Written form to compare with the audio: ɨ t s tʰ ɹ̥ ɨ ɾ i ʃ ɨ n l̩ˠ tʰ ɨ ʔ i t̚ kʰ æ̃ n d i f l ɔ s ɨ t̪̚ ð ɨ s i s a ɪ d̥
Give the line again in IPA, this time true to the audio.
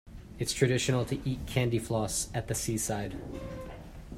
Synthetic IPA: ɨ t s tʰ ɹ̥ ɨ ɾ ɪ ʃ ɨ n l̩ˠ tʰ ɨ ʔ i t̚ kʰ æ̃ n d i f l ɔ s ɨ t̪̚ ð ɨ s i s a ɪ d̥